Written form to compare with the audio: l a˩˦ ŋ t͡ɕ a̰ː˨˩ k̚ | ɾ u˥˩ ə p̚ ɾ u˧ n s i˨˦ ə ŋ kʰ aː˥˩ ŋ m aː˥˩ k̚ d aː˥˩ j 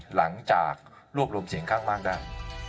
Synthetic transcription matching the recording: l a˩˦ ŋ t͡ɕ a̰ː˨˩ k̚ | ɾ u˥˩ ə p̚ ɾ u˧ m s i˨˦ ə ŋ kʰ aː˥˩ ŋ m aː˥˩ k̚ d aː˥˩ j